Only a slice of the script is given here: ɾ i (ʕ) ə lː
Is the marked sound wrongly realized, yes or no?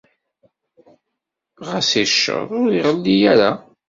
yes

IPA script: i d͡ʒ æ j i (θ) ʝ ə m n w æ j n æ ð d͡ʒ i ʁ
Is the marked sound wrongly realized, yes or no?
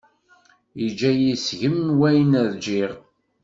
yes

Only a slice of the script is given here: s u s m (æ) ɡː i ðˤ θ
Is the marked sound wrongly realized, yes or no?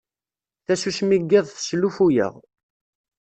yes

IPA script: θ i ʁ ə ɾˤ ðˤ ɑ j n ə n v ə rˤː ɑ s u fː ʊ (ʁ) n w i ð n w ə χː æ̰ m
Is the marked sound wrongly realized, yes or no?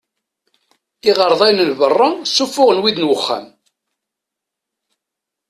no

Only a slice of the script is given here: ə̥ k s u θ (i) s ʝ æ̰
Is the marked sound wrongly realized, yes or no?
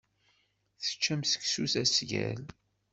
yes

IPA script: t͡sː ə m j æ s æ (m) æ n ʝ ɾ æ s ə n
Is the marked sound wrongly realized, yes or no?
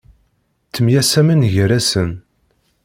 no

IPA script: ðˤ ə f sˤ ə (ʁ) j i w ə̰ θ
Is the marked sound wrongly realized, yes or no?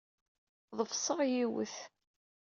no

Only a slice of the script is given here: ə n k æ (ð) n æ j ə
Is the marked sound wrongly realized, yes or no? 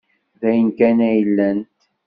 yes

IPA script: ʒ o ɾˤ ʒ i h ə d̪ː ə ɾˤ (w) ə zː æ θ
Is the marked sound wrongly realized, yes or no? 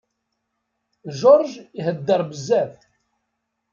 yes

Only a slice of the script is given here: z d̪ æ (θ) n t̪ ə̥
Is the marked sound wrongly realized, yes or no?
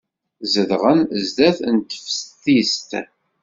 no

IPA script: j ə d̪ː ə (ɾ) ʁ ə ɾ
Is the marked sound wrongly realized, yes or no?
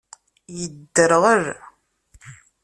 no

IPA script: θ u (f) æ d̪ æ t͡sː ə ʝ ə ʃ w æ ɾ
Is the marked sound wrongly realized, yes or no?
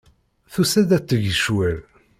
yes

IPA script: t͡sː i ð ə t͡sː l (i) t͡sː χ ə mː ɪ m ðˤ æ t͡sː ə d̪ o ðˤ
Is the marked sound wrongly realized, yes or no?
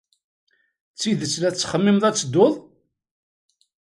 yes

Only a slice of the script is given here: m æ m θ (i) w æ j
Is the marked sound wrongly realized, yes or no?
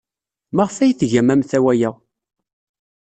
yes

